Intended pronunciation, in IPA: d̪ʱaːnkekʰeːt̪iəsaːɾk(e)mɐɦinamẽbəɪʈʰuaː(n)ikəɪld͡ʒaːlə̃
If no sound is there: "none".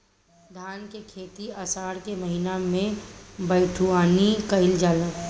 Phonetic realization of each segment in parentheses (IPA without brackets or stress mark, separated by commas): e, n